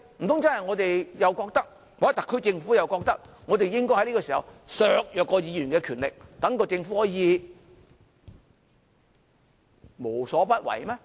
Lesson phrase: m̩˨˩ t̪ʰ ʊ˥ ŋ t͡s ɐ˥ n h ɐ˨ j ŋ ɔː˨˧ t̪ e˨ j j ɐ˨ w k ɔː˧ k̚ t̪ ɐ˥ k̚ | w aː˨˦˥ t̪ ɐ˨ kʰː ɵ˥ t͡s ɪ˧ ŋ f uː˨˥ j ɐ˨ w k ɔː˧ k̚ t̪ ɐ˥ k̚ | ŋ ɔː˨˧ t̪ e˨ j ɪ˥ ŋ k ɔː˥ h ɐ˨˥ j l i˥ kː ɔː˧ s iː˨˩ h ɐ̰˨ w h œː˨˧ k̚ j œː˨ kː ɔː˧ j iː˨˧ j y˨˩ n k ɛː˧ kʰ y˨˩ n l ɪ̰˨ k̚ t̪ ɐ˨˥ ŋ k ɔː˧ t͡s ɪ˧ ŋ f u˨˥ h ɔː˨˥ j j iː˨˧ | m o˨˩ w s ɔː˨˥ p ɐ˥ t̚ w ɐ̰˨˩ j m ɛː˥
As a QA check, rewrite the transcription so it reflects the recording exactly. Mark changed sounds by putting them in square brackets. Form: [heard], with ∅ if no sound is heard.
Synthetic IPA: m̩˨˩ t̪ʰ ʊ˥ ŋ t͡s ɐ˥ n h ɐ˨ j ŋ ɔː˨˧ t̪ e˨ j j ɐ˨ w k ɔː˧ k̚ t̪ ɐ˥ k̚ | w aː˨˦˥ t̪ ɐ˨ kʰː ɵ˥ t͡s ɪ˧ ŋ f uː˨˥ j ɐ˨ w k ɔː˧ k̚ t̪ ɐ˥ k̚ | ŋ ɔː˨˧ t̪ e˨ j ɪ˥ ŋ k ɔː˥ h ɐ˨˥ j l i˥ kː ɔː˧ s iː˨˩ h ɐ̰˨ w [s] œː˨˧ k̚ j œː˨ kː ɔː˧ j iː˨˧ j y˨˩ n k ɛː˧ kʰ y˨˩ n l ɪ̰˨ k̚ t̪ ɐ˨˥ ŋ k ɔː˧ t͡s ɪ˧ ŋ f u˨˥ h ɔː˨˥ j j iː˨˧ | m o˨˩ w s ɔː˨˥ p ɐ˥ t̚ w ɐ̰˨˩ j m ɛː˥

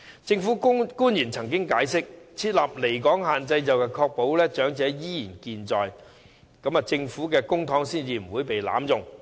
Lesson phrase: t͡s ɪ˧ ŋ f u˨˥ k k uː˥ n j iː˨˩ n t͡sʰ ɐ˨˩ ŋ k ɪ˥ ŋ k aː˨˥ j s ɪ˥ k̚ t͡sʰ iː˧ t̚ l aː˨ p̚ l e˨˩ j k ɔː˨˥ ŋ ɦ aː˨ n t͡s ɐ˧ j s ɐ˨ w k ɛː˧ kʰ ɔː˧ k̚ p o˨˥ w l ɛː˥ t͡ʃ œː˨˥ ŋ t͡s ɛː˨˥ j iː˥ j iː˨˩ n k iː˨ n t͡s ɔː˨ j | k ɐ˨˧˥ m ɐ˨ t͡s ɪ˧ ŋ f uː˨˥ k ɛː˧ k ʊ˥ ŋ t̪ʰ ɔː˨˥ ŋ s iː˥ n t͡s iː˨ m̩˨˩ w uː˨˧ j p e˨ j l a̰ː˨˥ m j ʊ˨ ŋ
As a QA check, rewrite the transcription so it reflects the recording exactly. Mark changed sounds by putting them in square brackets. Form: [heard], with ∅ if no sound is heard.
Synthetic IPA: t͡s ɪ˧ ŋ f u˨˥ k k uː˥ n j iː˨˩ n t͡sʰ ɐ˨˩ ŋ k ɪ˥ ŋ k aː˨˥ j s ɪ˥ k̚ t͡sʰ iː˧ t̚ l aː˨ p̚ l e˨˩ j k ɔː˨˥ ŋ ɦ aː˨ n t͡s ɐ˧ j [t͡s] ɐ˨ w k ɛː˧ kʰ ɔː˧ k̚ p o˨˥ w l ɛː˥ t͡ʃ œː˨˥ ŋ t͡s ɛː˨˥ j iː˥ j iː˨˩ n k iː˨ n t͡s ɔː˨ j | k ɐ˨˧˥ m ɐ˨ t͡s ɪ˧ ŋ f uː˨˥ k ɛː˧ k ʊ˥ ŋ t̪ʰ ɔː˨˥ ŋ s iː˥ n t͡s iː˨ m̩˨˩ w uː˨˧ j p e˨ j l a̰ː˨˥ m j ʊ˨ ŋ

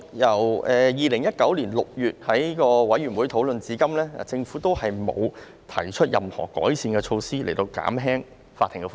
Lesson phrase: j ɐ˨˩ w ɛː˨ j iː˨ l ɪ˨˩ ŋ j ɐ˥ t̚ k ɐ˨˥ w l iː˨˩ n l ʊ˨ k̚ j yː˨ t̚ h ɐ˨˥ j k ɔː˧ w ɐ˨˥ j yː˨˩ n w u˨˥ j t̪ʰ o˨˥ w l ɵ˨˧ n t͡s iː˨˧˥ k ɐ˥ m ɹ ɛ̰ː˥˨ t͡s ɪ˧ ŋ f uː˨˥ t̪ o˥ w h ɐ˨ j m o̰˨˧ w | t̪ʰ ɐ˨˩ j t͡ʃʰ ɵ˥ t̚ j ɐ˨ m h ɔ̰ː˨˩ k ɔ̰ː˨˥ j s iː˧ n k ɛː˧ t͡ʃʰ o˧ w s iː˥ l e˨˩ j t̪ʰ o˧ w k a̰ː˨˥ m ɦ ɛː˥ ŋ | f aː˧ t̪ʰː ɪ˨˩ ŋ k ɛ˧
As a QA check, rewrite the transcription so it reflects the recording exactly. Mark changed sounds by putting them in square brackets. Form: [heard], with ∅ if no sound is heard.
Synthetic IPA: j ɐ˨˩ w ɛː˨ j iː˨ l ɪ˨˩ ŋ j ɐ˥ t̚ k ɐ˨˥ w l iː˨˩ n l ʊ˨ k̚ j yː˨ t̚ h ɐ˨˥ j k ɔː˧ w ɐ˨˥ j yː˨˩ n w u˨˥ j t̪ʰ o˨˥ w l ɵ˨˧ n t͡s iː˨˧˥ k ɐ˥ m [l] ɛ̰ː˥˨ t͡s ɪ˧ ŋ f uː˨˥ t̪ o˥ w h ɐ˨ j m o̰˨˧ w | t̪ʰ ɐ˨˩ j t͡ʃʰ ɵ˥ t̚ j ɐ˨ m h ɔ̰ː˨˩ k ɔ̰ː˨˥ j s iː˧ n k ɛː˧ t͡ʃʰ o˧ w s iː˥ l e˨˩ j [t̪] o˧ w k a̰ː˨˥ m ɦ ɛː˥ ŋ | f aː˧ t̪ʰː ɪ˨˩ ŋ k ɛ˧

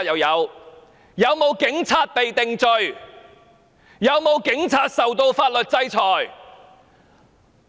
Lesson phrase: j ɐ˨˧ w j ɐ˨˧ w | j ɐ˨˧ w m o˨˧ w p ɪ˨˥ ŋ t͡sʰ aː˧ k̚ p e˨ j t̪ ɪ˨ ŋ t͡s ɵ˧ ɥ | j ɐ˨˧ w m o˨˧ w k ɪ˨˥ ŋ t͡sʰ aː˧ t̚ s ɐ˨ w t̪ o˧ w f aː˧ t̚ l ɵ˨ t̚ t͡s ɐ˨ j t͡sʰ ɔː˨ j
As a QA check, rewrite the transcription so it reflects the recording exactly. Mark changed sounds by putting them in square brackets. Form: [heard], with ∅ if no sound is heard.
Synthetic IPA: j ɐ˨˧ w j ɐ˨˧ w | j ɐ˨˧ w m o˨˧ w [k] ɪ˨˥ ŋ t͡sʰ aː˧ [t̚] p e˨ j t̪ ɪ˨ ŋ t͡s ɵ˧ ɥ | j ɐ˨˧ w m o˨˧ w k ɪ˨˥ ŋ t͡sʰ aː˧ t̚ s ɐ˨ w t̪ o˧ w f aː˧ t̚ l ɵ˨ t̚ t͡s [ɐ˥] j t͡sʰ ɔː˨ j

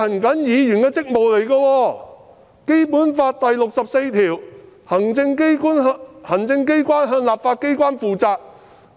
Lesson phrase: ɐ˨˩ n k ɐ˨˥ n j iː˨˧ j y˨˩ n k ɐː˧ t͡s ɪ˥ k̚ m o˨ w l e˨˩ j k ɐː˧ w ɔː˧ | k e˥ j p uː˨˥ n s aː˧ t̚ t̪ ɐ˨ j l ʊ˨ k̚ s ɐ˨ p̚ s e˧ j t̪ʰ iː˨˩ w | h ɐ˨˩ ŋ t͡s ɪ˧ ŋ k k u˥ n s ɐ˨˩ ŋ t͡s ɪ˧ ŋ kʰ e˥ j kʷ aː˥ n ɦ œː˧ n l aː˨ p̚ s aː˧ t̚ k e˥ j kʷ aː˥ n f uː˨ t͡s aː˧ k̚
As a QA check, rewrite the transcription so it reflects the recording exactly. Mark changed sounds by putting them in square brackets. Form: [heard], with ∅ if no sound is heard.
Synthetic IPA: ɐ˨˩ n k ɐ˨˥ n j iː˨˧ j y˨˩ n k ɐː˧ t͡s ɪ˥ k̚ m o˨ w l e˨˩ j k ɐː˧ w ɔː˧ | k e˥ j p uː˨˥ n [f] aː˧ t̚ t̪ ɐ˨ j l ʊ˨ k̚ s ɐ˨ p̚ s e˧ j t̪ʰ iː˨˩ w | h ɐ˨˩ ŋ t͡s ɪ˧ ŋ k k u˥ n [h] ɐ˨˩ ŋ t͡s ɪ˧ ŋ [k] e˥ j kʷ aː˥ n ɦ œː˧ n l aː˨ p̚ [f] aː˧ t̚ k e˥ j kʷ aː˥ n f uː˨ t͡s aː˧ k̚

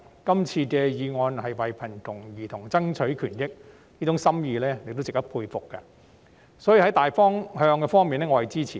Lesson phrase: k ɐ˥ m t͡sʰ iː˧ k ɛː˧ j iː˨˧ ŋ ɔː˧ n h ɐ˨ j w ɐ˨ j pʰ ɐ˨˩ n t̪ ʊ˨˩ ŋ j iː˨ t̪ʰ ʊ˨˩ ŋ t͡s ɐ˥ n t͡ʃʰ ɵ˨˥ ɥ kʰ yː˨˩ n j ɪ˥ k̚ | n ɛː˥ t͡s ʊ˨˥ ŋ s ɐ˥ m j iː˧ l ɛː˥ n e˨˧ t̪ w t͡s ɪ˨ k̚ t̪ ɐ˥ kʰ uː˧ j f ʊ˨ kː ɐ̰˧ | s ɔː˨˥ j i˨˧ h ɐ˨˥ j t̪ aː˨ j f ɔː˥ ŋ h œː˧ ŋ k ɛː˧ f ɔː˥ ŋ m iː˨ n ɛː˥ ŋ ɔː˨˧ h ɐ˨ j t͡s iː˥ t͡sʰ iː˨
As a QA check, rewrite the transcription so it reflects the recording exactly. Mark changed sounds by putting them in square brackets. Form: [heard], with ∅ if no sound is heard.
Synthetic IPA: k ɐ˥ m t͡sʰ iː˧ k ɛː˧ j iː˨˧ ŋ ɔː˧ n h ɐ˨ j w ɐ˨ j pʰ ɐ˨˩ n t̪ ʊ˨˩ ŋ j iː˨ t̪ʰ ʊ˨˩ ŋ t͡s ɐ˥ [ŋ] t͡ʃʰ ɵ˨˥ ɥ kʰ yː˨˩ n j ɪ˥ k̚ | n [iː˥] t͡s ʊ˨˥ ŋ s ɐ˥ m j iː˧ l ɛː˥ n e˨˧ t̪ w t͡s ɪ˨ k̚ t̪ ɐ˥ [pʰ] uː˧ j f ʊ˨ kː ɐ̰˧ | s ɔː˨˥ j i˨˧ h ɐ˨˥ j t̪ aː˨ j f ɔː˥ ŋ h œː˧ ŋ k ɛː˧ f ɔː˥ ŋ m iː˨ n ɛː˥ ŋ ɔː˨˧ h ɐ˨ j t͡s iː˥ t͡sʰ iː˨

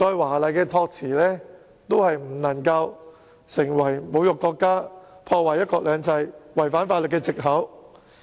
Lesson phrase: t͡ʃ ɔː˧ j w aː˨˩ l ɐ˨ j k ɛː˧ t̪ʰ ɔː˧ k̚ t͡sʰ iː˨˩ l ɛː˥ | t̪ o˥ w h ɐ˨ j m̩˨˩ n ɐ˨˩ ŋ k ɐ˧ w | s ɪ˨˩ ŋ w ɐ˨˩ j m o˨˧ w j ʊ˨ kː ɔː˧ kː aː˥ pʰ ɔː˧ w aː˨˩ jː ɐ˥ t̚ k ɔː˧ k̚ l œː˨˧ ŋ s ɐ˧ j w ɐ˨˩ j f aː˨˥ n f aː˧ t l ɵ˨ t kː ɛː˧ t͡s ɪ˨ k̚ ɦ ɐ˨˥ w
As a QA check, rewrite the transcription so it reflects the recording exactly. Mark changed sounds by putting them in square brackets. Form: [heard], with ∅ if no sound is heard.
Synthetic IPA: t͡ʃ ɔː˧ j w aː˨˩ l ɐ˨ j k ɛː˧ t̪ʰ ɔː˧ k̚ t͡sʰ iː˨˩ l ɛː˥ | t̪ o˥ w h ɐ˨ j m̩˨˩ n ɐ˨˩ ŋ k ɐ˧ w | s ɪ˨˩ ŋ w ɐ˨˩ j m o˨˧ w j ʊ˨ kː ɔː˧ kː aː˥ pʰ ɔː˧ w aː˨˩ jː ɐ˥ t̚ k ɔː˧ k̚ l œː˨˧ ŋ [t͡s] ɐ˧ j w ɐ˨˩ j f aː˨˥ n f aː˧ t l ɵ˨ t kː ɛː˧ t͡s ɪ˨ k̚ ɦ ɐ˨˥ w

